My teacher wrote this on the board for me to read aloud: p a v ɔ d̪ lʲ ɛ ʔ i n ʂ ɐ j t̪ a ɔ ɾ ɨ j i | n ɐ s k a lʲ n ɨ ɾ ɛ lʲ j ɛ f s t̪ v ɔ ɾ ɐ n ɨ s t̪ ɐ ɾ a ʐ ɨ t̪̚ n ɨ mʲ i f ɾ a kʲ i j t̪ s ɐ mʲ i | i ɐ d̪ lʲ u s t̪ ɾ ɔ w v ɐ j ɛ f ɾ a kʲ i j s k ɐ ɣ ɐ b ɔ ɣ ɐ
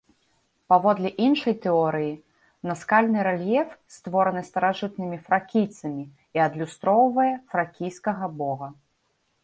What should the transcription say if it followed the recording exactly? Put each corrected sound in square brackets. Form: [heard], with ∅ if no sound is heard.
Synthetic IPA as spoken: p a v ɔ d̪ lʲ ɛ ʔ i n ʂ ɐ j t̪ [ɛ] ɔ ɾ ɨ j i | n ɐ s k a lʲ n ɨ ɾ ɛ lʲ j ɛ f s t̪ v ɔ ɾ ɐ n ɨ s t̪ ɐ ɾ a ʐ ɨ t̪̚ n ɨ mʲ i f ɾ a kʲ i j t̪ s ɐ mʲ i | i ɐ d̪ lʲ u s t̪ ɾ ɔ w v ɐ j ɛ f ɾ a kʲ i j s k ɐ ɣ ɐ b ɔ ɣ ɐ